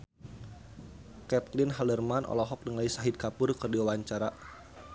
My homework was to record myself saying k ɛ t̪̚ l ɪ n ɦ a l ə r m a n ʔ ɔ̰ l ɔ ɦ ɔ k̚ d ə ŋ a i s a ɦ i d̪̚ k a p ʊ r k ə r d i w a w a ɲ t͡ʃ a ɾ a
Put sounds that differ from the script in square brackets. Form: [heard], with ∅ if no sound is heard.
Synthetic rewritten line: k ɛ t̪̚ l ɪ n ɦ a l ə r m a n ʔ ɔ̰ l ɔ ɦ ɔ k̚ d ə ŋ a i s a ɦ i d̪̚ k a p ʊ r k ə r d i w a w a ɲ t͡ʃ a ɾ a